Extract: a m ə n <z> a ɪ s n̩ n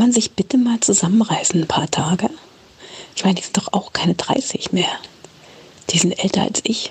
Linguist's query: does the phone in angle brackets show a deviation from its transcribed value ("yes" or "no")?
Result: yes